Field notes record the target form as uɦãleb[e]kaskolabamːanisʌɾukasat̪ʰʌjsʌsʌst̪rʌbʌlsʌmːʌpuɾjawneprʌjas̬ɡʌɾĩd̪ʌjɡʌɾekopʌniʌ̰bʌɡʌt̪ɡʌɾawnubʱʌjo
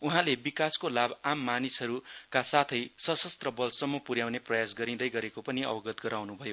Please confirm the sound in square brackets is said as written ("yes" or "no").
no